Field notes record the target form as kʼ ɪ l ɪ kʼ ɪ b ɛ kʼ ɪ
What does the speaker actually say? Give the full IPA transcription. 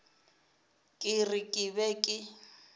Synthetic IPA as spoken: kʼ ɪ r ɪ kʼ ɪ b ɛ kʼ ɪ

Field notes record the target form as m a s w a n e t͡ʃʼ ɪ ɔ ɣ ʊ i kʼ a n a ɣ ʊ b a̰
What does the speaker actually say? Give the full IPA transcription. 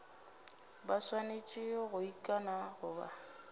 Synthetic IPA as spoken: b a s w a n e t͡ʃʼ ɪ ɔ ɣ ʊ i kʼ a n a ɣ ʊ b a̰

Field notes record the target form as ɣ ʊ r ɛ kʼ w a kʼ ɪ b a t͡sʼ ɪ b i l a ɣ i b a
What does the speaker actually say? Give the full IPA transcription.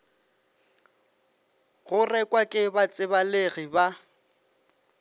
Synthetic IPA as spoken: ɣ ʊ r ɛ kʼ w a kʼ ɪ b a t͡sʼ ɪ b a l e ɣ i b a

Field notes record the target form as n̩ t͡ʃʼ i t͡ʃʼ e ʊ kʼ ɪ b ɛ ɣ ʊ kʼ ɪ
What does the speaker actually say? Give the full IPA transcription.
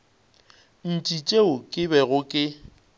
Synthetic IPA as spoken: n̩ t͡ʃʼ i t͡ʃʼ e ʊ kʼ ɪ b ɛ ɣ ʊ kʼ ɪ

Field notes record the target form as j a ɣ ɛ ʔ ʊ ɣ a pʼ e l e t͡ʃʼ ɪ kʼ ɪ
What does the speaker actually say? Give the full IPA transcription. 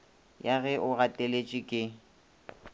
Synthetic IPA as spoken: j a ɣ ɛ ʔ ʊ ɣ a tʼ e l e t͡ʃʼ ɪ kʼ ɪ

